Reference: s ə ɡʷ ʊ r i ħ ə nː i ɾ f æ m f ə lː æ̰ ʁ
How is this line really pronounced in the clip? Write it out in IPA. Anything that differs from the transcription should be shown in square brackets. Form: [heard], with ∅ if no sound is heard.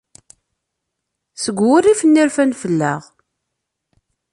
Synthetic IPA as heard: s ə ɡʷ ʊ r i [f] ə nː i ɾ f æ [n] f ə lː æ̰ ʁ